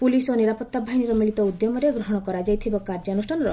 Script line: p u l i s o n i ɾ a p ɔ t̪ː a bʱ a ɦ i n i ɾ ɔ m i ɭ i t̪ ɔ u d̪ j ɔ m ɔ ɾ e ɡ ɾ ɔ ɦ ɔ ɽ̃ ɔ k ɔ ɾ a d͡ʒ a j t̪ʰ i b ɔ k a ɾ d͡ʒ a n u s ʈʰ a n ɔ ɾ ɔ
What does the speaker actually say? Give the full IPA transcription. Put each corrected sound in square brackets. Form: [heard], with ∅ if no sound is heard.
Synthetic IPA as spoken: p u l i s o n i ɾ a p ɔ t̪ː a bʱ a ɦ i n i ɾ ɔ m i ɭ i t̪ ɔ u d̪ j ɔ m ɔ ɾ e ɡ ɾ ɔ ɦ ɔ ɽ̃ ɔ k ɔ ɾ a d͡ʒ a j t̪ʰ i b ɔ k a ɾ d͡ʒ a n u s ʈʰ a n ɔ ɾ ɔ